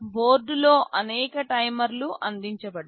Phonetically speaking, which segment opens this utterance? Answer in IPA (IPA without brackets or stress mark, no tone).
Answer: b